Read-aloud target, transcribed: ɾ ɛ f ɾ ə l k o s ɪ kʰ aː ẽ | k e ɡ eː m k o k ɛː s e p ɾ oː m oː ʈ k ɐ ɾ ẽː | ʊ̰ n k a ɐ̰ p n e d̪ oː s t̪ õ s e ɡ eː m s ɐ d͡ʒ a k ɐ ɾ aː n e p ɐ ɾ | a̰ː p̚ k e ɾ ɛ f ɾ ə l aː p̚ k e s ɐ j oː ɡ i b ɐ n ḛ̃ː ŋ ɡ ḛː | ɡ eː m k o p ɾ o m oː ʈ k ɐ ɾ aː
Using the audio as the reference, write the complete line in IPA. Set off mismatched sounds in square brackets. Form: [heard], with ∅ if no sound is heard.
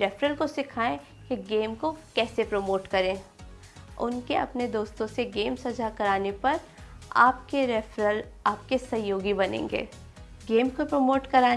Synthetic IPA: ɾ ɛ f ɾ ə l k o s ɪ kʰ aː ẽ | k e ɡ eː m k o k ɛː s e p ɾ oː m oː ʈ k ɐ ɾ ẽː | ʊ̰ n k [e] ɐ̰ p n e d̪ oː s t̪ õ s e ɡ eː m s ɐ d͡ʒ a k ɐ ɾ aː n e p ɐ ɾ | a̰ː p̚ k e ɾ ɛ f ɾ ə l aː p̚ k e s ɐ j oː ɡ i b ɐ n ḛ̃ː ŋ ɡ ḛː | ɡ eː m k o p ɾ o m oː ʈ k ɐ ɾ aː